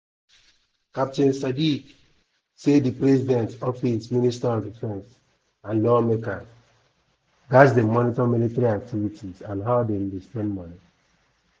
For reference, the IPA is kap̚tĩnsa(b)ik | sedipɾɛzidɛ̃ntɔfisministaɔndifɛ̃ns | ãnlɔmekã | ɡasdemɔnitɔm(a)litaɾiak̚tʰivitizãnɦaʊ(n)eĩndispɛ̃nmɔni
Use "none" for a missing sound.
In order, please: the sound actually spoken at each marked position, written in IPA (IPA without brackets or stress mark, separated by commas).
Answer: d, i, d